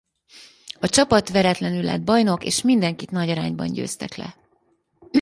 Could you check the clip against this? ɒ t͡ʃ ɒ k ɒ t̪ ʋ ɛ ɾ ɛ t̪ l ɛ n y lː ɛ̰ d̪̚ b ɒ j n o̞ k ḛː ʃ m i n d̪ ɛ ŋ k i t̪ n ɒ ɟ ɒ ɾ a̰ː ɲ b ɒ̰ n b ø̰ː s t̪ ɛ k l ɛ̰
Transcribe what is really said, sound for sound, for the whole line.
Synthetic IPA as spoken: ɒ t͡ʃ ɒ p ɒ t̪ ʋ ɛ ɾ ɛ t̪ l ɛ n y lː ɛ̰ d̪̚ b ɒ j n o̞ k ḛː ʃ m i n d̪ ɛ ŋ k i t̪ n ɒ ɟ ɒ ɾ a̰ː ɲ b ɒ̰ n ɟ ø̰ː s t̪ ɛ k l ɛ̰